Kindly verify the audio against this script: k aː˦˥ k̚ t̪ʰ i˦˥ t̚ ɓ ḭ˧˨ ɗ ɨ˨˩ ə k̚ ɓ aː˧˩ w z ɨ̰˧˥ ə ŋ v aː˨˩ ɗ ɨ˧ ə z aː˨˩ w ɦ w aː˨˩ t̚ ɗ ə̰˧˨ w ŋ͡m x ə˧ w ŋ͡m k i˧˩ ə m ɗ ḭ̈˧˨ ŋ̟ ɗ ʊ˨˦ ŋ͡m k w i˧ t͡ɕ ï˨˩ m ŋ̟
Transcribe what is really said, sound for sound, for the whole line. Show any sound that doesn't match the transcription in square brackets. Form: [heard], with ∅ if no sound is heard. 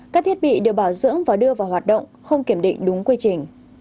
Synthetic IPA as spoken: k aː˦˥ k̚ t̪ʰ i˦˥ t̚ ɓ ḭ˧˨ ɗ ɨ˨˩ ə k̚ ɓ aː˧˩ w z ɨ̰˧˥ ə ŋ v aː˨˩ ɗ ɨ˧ ə [v] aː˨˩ w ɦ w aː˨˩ t̚ ɗ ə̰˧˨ w ŋ͡m x ə˧ w ŋ͡m k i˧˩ ə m ɗ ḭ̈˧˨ ŋ̟ ɗ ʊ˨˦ ŋ͡m k w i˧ t͡ɕ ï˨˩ [∅] ŋ̟